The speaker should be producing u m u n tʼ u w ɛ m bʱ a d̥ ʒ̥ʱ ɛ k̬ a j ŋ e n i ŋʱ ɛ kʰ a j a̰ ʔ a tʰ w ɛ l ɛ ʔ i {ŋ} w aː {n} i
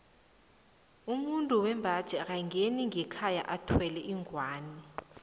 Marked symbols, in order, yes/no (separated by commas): yes, yes